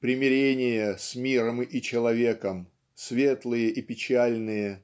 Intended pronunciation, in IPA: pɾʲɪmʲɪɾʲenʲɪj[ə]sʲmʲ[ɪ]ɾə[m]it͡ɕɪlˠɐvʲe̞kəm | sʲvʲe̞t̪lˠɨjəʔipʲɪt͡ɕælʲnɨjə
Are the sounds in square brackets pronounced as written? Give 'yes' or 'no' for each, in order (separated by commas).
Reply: yes, no, yes